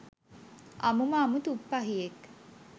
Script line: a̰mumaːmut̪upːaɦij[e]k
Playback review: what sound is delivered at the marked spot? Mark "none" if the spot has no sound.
e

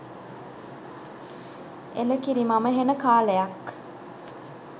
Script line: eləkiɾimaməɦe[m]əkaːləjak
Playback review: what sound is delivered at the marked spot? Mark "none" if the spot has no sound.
n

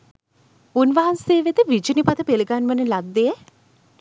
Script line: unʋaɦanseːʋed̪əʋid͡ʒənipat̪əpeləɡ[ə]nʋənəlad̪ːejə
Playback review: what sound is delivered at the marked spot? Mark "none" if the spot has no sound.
a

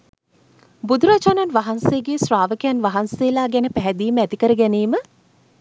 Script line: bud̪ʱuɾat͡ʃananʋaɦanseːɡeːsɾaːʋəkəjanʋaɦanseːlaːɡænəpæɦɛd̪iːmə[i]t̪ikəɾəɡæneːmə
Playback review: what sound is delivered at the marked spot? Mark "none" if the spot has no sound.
æ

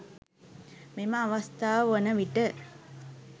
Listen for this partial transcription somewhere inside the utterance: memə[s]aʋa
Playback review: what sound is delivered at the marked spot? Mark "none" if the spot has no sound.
none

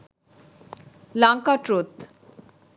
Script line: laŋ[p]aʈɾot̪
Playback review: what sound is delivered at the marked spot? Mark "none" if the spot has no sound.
k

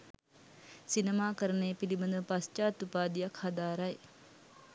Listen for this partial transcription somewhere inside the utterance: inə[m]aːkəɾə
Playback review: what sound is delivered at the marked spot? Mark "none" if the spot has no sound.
m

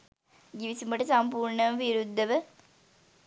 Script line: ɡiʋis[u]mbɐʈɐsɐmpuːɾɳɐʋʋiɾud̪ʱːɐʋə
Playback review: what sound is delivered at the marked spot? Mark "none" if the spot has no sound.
u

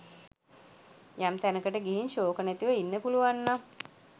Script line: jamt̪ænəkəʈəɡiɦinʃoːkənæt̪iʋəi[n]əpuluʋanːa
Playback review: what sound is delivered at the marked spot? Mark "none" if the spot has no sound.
nː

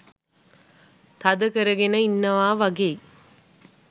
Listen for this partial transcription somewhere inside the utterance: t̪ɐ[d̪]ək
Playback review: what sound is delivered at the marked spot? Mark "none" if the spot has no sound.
d̪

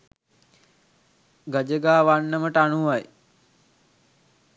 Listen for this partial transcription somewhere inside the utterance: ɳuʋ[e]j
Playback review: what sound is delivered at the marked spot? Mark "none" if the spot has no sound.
a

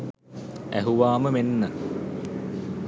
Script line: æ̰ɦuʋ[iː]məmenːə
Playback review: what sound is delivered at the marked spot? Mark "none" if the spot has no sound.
aː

